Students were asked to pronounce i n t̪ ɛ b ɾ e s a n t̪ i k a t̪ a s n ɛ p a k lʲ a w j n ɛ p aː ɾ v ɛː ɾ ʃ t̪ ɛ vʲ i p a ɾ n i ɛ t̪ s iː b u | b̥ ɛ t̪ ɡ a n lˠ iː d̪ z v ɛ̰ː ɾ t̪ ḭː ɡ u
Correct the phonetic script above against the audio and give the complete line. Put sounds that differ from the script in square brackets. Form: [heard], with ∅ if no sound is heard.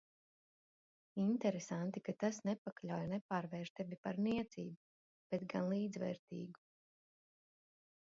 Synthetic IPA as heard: i n t̪ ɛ [∅] ɾ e s a n t̪ i k a t̪ a s n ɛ p a k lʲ a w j n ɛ p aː ɾ v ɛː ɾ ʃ t̪ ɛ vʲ i p a ɾ n i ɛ t̪ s iː b u | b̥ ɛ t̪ ɡ a n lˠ iː d̪ z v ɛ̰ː ɾ t̪ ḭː ɡ u